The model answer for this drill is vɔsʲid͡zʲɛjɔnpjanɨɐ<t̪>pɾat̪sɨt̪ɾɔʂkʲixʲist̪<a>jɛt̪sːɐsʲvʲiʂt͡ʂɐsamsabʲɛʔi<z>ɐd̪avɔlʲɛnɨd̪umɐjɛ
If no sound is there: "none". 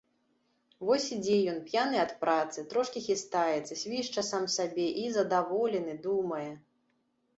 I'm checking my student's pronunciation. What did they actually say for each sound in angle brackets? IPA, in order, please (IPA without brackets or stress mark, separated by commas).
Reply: t̪, a, z